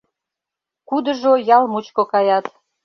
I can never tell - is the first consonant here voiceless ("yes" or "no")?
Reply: yes